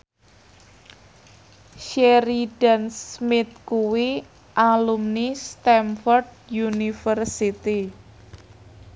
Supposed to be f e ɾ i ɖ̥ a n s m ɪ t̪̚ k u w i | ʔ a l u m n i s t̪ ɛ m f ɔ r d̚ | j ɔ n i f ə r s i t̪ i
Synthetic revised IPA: ʃ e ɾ i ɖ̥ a n s m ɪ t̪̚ k u w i | ʔ a l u m n i s t̪ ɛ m f ɔ r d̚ | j u n i f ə r s i t̪ i